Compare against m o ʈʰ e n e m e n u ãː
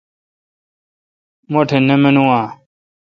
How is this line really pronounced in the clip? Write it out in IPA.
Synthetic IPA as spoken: m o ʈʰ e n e m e n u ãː